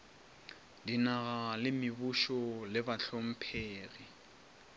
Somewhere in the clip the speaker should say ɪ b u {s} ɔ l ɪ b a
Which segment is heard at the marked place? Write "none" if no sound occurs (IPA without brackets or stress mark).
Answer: ʃ